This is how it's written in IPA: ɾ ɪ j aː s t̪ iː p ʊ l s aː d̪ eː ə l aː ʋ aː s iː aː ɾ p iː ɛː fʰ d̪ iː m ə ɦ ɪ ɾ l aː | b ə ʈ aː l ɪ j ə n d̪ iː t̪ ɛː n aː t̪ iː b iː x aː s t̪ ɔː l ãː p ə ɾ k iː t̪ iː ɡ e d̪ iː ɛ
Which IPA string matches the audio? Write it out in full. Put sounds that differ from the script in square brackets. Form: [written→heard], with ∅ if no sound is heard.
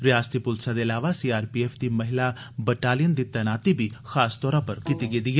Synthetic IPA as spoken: ɾ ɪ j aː s t̪ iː p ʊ l s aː d̪ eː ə l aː ʋ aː s iː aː ɾ p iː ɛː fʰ d̪ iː m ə ɦ ɪ [ɾ→∅] l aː | b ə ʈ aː l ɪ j ə n d̪ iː t̪ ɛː n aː t̪ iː b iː x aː s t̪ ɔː [l→ɾ] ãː p ə ɾ k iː t̪ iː ɡ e d̪ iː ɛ